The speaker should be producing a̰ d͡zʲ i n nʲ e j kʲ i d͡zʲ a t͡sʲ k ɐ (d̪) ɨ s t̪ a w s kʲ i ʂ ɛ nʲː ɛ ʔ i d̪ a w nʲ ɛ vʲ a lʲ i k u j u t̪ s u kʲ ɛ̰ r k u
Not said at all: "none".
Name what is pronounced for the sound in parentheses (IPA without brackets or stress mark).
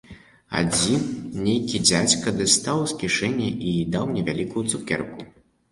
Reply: d̪